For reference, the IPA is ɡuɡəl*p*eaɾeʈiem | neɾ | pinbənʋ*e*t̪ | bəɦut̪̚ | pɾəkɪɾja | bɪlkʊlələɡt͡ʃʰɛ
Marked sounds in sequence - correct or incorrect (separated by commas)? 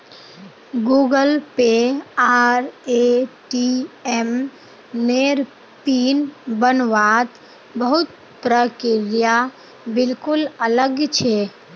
correct, incorrect